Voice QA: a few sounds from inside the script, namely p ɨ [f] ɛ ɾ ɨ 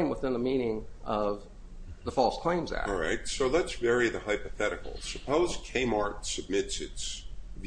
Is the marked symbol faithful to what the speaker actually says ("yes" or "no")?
no